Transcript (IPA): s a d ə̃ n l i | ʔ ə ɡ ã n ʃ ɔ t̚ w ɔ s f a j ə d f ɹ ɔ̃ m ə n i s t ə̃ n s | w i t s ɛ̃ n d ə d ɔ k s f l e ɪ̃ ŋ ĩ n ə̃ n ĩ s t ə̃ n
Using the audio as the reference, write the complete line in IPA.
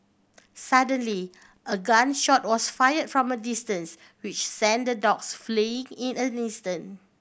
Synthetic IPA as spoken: s a d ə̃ n l i | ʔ ə ɡ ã n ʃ ɔ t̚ w ɔ s f a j ə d f ɹ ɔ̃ m ə d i s t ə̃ n s | w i t͡ʃ s ɛ̃ n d ə d ɔ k s f l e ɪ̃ ŋ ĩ n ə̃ n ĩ s t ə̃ n